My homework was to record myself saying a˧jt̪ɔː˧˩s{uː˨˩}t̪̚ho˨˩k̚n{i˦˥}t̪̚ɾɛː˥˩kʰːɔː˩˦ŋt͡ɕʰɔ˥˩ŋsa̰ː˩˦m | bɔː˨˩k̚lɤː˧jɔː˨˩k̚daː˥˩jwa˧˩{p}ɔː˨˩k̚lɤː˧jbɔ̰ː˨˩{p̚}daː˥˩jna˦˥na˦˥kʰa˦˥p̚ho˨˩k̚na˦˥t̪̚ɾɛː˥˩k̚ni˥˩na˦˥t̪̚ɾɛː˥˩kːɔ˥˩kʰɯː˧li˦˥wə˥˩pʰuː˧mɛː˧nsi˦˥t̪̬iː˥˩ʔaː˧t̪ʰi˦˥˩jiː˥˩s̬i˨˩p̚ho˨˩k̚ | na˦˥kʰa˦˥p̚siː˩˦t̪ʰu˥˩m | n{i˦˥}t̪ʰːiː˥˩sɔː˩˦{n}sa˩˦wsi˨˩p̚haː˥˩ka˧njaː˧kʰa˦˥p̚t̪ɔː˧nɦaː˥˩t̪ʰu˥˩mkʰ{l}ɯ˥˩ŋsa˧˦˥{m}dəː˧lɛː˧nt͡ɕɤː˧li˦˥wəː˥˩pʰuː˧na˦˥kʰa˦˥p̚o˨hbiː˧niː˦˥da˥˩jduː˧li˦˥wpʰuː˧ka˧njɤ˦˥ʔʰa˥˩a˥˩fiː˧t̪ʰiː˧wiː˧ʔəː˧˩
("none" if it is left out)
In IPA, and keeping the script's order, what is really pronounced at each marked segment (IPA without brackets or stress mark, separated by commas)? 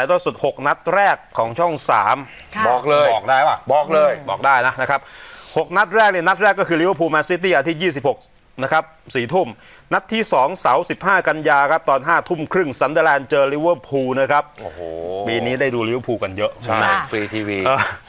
u˨˩, a˦˥, b, k̚, a˦˥, ŋ, ɾ, n